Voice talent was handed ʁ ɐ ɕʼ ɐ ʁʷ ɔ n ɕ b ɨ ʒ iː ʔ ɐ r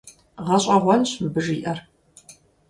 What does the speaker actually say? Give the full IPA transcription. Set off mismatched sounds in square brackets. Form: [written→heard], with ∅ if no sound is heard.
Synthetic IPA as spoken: ʁ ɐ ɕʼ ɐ ʁʷ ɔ n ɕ b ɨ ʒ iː ʔ ɐ r